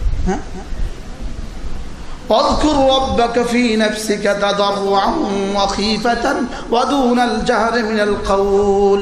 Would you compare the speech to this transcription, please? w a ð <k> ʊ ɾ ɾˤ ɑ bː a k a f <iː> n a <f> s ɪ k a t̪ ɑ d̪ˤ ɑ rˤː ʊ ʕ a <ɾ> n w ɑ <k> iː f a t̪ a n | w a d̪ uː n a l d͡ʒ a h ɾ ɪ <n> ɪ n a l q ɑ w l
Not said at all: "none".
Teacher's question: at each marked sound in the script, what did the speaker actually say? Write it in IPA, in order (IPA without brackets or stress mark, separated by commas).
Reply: k, iː, f, none, x, m